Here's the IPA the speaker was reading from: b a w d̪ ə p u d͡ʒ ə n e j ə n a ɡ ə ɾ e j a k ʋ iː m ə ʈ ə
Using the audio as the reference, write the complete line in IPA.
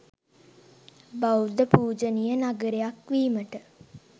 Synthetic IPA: b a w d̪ ə p uː d͡ʒ ə n i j ə n a ɡ ə ɾ e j a k ʋ iː m ə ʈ ə